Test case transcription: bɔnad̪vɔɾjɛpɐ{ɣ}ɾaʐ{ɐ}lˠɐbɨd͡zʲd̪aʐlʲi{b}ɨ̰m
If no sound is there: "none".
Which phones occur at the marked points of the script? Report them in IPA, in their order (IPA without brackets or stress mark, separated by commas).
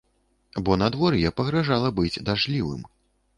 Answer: ɣ, a, v